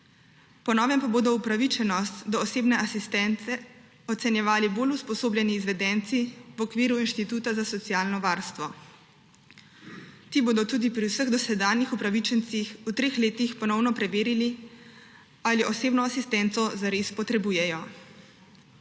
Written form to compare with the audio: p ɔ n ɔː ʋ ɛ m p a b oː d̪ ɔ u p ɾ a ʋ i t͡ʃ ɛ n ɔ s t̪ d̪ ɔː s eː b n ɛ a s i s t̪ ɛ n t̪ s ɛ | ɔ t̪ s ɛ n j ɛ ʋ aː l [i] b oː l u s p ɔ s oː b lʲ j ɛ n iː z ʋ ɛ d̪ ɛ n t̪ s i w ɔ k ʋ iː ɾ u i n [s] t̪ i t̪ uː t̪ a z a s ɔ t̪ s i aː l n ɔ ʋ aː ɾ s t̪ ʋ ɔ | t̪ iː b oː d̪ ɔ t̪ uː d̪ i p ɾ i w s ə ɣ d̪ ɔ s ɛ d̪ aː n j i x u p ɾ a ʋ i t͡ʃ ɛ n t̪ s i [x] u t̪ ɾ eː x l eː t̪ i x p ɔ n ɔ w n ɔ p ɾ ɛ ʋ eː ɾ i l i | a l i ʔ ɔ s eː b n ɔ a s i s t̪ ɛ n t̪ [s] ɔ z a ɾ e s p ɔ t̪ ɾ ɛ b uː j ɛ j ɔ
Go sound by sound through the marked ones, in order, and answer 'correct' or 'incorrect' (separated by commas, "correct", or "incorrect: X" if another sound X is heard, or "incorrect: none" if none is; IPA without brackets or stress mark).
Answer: correct, incorrect: ʃ, correct, correct